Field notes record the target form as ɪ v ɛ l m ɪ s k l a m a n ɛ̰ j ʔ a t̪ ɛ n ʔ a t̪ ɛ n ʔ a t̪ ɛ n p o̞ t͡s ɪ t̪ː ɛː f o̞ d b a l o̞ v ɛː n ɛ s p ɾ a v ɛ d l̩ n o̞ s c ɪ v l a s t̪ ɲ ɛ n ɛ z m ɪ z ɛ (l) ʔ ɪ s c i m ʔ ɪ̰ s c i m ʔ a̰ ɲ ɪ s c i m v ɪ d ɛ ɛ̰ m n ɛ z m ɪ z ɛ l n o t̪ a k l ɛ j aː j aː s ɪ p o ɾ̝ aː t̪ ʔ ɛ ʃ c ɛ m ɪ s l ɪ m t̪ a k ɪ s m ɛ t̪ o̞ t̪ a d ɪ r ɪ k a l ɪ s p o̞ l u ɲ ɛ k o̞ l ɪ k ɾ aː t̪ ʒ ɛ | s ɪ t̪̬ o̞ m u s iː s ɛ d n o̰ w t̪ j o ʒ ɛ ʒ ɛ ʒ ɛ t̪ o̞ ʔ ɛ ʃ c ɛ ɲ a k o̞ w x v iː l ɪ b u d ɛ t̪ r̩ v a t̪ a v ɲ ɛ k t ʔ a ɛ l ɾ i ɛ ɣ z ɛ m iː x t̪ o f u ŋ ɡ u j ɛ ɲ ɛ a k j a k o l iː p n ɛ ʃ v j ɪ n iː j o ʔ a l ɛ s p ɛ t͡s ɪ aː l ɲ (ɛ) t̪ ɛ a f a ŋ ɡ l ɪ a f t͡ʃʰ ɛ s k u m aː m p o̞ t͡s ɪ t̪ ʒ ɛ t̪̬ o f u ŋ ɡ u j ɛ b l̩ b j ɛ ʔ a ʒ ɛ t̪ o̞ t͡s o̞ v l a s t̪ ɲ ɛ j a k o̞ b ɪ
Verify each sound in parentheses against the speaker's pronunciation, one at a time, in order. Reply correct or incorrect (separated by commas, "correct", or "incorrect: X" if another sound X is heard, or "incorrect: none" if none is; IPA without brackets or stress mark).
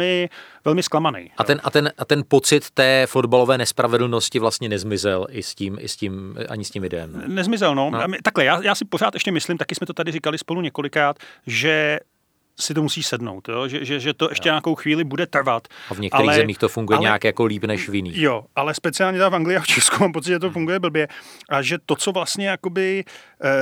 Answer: correct, correct